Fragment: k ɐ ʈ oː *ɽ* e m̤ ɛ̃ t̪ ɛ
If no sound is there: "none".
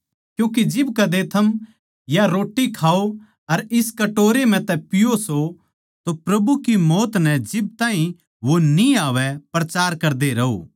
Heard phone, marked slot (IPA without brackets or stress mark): ɾ